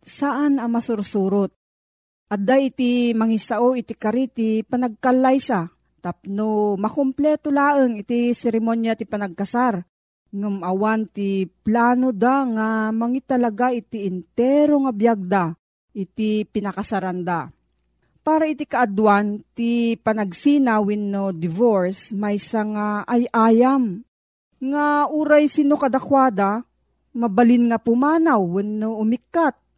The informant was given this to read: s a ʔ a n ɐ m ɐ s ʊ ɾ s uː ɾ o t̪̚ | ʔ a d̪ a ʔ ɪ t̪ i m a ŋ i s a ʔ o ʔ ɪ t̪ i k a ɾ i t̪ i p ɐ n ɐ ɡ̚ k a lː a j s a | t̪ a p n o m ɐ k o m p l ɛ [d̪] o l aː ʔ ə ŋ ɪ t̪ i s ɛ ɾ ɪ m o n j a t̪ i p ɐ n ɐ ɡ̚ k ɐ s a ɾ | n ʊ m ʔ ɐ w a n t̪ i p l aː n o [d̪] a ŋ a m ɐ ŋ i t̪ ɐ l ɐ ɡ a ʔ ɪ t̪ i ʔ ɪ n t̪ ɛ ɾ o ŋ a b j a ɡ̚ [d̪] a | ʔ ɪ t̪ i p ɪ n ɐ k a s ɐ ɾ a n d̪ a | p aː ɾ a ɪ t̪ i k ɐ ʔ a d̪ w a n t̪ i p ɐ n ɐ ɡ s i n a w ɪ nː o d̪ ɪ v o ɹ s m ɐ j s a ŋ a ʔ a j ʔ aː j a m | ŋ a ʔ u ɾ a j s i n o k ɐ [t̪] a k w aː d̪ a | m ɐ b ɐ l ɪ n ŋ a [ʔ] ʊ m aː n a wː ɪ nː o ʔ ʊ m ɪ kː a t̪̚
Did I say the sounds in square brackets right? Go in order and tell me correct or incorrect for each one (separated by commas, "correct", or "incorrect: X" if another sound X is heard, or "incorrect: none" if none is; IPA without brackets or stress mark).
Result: incorrect: t̪, correct, correct, incorrect: d̪, incorrect: p